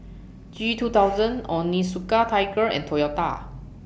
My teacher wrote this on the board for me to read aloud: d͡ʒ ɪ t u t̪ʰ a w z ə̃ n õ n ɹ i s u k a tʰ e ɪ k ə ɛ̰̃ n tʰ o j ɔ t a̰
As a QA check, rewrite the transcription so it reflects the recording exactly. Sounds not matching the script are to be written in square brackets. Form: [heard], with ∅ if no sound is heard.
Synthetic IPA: d͡ʒ [i] t u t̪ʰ a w z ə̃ n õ n [l] i s u k a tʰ [a] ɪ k ə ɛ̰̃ n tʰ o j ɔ t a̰